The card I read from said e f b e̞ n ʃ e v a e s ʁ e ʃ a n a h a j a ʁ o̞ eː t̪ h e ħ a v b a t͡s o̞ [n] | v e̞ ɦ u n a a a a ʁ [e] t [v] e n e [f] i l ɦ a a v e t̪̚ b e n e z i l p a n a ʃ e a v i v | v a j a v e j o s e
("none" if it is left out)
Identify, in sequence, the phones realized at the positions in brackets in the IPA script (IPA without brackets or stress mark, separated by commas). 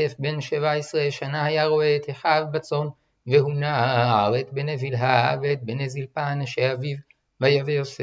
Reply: n, e, b, v